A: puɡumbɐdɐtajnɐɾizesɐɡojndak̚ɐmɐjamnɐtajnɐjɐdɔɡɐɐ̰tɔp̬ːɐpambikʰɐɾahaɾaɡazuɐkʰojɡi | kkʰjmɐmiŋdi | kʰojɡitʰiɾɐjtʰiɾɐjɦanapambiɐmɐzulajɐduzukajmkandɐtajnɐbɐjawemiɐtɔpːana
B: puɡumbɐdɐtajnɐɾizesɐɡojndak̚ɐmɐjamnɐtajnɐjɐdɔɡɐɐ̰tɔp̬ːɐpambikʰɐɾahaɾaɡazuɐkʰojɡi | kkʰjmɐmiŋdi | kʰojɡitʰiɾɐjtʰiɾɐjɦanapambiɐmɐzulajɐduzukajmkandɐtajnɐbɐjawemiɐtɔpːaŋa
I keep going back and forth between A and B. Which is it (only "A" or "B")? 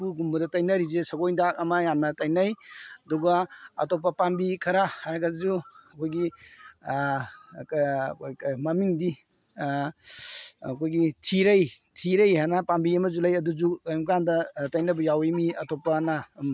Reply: A